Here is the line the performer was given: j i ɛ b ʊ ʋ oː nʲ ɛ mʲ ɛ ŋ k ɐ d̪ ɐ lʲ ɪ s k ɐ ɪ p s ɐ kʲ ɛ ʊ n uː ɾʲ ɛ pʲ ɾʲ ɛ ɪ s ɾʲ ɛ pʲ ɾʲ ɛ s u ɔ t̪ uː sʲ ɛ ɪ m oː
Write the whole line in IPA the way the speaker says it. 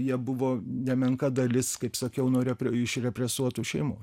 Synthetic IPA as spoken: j i ɛ b ʊ ʋ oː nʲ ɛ mʲ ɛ ŋ k ɐ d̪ ɐ lʲ ɪ s k ɐ ɪ p s ɐ kʲ ɛ ʊ n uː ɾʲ ɛ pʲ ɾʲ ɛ ɪ ʃ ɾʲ ɛ pʲ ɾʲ ɛ s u ɔ t̪ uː ʃʲ ɛ ɪ m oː